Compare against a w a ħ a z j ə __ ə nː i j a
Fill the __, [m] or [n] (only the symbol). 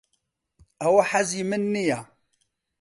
m